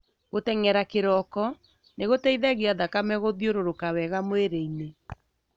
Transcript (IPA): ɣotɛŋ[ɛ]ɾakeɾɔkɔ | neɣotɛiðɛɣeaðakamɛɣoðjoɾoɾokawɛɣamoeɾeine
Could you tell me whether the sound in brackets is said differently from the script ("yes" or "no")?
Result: no